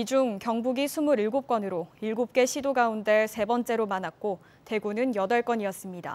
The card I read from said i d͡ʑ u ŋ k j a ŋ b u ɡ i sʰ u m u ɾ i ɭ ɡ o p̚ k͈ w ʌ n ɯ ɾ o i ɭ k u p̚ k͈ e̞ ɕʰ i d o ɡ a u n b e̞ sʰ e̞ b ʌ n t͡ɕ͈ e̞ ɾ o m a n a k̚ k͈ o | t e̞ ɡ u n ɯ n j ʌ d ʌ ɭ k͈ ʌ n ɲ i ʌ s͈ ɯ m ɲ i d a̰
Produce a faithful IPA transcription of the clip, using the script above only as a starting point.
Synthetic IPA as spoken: i d͡ʑ u ŋ k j ʌ ŋ b u ɡ i sʰ u m u ɾ i ɭ ɡ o p̚ k͈ w ʌ n ɯ ɾ o i ɭ ɡ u p̚ k͈ e̞ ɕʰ i d o ɡ a u n d e̞ sʰ e̞ b ʌ n t͡ɕ͈ e̞ ɾ o m a n a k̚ k͈ o | t e̞ ɡ u n ɯ n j ʌ d ʌ ɭ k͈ ʌ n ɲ i ʌ s͈ ɯ m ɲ i d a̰